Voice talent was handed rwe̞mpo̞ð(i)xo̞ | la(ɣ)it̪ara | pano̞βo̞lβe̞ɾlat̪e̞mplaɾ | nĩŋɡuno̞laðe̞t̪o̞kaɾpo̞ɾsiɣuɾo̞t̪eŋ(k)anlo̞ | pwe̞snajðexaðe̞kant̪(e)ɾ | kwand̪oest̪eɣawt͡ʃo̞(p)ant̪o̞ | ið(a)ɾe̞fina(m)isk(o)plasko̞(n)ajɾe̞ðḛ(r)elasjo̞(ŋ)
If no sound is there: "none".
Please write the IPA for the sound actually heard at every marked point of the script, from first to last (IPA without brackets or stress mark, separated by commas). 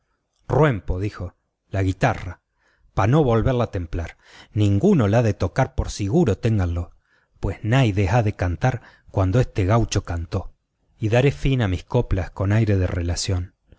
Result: i, ɣ, ɡ, a, k, a, m, o, n, r, n